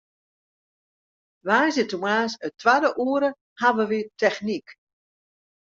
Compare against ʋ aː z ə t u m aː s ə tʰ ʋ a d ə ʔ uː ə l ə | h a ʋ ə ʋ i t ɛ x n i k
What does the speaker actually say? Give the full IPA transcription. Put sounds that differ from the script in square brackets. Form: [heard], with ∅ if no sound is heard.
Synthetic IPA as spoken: ʋ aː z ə t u m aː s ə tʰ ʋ a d ə ʔ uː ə [ɾ] ə | h a ʋ ə ʋ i t ɛ x n i k